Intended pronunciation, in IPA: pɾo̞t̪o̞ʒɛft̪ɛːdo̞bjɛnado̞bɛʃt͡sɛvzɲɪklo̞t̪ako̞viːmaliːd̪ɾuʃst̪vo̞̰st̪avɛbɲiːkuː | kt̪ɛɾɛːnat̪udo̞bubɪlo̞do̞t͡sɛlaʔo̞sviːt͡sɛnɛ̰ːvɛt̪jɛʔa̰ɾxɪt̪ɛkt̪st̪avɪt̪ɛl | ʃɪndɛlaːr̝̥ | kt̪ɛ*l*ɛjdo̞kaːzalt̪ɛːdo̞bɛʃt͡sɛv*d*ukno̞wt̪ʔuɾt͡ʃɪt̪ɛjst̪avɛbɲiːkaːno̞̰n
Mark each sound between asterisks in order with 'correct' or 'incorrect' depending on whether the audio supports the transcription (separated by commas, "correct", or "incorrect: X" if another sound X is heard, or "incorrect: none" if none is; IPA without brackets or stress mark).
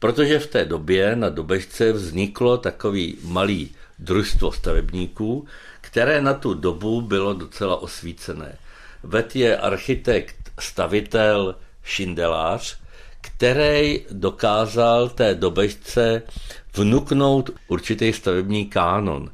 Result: incorrect: ɾ, incorrect: n